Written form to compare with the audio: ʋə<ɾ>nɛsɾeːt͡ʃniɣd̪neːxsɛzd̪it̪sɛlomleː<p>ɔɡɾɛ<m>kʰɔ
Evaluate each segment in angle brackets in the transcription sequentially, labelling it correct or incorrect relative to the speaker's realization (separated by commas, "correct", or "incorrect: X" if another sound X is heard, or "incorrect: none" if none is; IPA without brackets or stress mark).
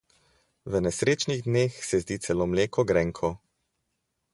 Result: incorrect: none, incorrect: k, incorrect: ŋ